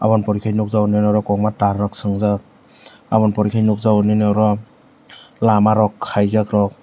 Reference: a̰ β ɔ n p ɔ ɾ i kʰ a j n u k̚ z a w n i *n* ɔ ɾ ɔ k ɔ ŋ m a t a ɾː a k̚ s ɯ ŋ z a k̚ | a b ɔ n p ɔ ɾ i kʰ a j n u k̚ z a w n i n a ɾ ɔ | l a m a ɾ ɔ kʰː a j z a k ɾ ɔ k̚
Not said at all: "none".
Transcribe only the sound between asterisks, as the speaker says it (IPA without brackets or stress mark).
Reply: n